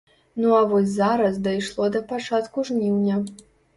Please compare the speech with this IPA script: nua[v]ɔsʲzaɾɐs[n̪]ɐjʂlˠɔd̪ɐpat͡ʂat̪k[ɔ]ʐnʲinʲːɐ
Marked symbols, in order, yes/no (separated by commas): yes, no, no